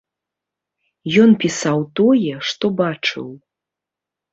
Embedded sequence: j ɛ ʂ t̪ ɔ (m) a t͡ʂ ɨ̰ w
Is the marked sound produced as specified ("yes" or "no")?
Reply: no